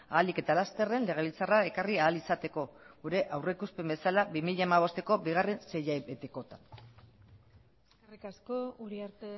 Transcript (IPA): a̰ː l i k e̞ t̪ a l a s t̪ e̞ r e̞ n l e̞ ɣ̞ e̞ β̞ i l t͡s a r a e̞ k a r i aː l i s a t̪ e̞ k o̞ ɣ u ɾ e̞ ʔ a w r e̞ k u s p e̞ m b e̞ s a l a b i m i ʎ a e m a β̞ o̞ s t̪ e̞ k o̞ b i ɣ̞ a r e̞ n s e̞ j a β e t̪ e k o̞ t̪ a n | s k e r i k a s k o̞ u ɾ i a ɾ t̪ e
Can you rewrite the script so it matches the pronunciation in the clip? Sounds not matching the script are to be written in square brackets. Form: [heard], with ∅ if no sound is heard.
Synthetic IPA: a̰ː l i k e̞ t̪ a l a s t̪ e̞ r e̞ n l e̞ ɣ̞ e̞ β̞ i l t͡s a r a e̞ k a r i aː l i s a t̪ e̞ k o̞ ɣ u ɾ e̞ ʔ a w r e̞ k u s p e̞ m b e̞ s a l a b i m i ʎ a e m a β̞ o̞ s t̪ e̞ k o̞ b i ɣ̞ a r e̞ n s e̞ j a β e t̪ e k o̞ t̪ a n | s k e r i k a s k o̞ u ɾ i a ɾ t̪ e